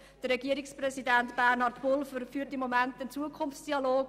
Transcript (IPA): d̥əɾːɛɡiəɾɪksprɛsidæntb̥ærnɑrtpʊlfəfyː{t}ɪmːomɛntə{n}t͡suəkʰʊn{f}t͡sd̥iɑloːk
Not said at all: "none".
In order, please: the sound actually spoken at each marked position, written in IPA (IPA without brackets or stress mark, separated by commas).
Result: t, n, f